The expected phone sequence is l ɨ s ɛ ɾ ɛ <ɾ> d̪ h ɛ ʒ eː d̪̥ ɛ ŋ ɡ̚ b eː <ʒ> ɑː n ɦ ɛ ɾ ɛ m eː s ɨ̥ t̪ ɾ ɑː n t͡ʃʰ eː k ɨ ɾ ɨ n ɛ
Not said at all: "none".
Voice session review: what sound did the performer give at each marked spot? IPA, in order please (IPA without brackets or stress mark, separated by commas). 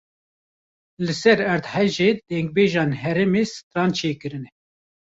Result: ɾ, ʒ